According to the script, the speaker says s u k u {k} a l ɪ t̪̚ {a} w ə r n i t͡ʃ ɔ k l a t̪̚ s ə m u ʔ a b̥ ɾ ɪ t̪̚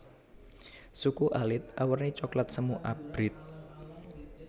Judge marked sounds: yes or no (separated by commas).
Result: no, yes